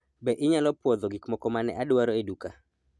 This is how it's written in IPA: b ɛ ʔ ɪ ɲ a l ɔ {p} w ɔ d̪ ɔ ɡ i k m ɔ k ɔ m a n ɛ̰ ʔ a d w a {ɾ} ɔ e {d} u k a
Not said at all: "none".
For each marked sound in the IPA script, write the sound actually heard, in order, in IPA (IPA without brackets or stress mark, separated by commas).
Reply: p, ɾ, d